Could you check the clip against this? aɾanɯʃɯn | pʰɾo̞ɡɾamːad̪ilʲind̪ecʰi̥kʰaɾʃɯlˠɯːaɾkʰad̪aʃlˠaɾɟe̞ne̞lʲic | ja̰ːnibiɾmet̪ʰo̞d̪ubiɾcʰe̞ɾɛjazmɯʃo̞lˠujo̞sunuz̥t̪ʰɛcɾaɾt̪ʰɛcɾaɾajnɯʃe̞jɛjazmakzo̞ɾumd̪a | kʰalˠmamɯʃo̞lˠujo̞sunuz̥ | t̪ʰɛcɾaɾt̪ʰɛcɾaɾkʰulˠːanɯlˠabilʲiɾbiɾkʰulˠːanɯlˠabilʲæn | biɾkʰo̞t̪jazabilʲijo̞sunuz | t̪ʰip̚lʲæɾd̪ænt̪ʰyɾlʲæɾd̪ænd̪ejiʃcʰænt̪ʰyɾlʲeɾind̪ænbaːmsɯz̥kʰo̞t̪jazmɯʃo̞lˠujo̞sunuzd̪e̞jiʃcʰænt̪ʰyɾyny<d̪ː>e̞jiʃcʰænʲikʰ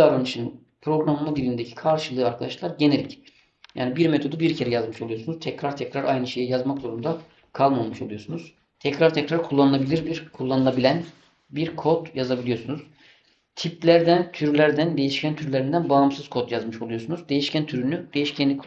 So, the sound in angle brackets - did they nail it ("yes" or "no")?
no